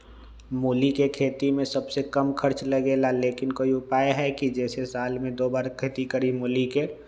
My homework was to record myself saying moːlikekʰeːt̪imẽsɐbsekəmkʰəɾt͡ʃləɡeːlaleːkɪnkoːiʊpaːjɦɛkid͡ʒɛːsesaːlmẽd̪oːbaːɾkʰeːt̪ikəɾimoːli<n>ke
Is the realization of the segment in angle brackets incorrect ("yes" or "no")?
yes